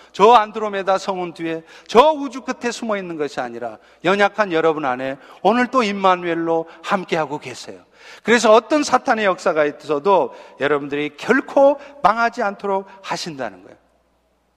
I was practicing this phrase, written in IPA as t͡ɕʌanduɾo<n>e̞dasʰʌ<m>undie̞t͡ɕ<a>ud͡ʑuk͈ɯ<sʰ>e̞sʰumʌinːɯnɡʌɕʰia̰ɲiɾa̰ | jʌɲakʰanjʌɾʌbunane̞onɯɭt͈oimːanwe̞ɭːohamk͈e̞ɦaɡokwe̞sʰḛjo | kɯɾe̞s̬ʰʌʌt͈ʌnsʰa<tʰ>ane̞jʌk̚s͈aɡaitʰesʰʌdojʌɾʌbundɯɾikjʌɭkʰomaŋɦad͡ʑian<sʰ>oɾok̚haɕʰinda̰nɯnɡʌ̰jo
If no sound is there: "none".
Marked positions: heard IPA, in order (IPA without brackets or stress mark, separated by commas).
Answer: m, ŋ, ʌ, tʰ, tʰ, tʰ